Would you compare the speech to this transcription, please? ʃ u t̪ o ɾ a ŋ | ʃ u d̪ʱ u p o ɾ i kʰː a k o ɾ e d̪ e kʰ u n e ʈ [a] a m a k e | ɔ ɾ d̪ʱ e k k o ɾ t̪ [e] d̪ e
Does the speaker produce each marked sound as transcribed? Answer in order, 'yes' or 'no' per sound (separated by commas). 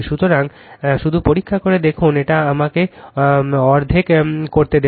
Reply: yes, yes